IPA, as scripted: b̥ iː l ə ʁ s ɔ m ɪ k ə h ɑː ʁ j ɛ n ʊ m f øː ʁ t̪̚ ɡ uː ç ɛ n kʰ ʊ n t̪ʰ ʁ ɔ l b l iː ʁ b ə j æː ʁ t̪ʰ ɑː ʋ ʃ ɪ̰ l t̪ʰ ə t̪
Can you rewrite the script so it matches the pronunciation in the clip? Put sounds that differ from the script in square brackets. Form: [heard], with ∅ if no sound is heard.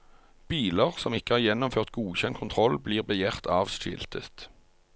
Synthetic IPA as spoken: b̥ iː l ə ʁ s ɔ m ɪ k ə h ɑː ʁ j ɛ n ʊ m f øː ʁ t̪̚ ɡ uː ç ɛ n kʰ ʊ n t̪ʰ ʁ ɔ l b l iː ʁ b ə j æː ʁ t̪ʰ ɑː ʋ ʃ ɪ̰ l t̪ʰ ə t̪